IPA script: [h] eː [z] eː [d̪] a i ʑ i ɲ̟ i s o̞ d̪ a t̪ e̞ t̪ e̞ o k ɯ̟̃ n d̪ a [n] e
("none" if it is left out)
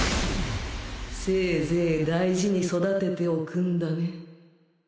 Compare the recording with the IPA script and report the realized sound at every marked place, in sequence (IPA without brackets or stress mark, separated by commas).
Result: s, z, d̪, n